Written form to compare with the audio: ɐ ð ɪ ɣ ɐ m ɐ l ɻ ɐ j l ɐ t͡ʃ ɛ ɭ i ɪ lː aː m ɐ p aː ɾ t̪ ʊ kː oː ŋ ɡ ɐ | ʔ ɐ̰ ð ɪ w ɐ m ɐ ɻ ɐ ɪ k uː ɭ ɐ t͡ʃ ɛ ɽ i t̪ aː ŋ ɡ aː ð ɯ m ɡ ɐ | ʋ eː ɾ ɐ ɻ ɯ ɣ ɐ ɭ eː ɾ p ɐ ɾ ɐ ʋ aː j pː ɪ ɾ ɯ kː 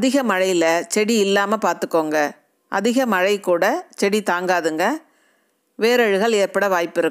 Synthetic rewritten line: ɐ ð ɪ ɣ ɐ m ɐ ɻ ɐ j l ɐ t͡ʃ ɛ ɽ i ɪ lː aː m ɐ p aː ɾ t̪ ɯ kː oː ŋ ɡ ɐ | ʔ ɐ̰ ð ɪ ɣ ɐ m ɐ ɻ ɐ ɪ k uː ɽ ɐ t͡ʃ ɛ ɽ i t̪ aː ŋ ɡ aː ð ɯ ŋ ɡ ɐ | ʋ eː ɾ ɐ ɻ ɯ ɣ ɐ ɭ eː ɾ p ɐ ɽ ɐ ʋ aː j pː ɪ ɾ ɯ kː